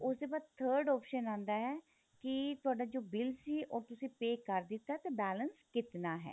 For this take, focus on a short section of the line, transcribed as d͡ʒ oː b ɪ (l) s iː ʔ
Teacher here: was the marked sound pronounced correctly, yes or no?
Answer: yes